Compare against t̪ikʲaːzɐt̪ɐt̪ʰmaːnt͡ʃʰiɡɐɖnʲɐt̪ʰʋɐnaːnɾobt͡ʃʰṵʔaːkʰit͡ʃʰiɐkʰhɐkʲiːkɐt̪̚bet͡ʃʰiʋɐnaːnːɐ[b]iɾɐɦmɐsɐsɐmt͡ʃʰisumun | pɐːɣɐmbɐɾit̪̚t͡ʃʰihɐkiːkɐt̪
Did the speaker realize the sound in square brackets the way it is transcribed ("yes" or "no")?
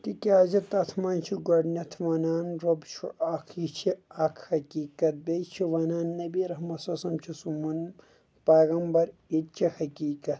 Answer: yes